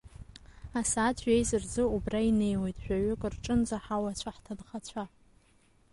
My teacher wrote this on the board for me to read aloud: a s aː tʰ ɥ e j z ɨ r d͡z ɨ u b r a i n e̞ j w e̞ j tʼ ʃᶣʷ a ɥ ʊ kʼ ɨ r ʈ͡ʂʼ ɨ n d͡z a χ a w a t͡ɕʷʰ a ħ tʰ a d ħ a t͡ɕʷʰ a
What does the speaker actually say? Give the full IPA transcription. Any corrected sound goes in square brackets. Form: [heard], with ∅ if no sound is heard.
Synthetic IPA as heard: a s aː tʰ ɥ e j z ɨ r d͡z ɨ u b r a i n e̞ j w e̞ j tʼ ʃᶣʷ a ɥ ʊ kʼ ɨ r ʈ͡ʂʼ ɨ n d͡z a [ħ] a w a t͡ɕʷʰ a ħ tʰ a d [χ] a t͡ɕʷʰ a